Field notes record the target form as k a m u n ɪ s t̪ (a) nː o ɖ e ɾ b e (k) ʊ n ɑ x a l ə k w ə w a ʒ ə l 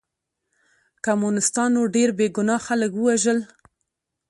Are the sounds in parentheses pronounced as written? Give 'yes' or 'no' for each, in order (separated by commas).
no, no